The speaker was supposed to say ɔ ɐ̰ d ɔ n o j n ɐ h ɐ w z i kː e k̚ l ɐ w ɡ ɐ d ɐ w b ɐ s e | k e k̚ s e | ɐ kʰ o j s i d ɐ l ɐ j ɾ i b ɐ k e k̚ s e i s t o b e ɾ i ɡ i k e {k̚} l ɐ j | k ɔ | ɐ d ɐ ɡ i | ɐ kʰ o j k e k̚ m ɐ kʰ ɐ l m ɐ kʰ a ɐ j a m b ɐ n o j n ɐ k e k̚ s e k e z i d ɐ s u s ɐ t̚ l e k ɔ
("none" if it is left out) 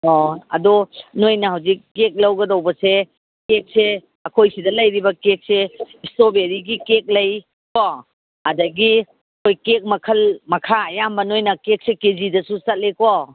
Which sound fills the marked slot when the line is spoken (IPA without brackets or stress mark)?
k̚